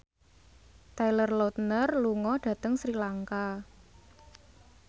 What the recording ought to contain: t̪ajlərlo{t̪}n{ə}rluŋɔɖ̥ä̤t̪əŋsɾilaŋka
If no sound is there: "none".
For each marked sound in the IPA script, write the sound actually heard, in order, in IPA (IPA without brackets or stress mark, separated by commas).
t̪, ə